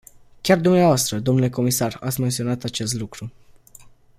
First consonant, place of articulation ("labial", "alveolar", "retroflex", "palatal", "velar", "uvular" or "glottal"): velar